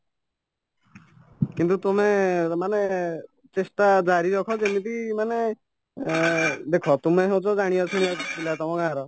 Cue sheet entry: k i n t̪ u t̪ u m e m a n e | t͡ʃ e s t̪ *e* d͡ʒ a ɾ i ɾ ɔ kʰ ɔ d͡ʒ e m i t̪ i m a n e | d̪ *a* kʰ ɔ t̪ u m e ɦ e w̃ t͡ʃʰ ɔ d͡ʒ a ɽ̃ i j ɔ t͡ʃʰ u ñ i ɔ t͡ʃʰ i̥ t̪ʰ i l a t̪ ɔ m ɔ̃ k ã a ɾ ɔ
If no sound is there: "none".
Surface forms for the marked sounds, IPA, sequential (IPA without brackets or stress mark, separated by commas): a, e